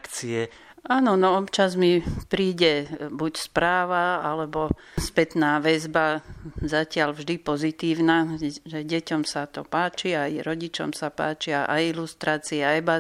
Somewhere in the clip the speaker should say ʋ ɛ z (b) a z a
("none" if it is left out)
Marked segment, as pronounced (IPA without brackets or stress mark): b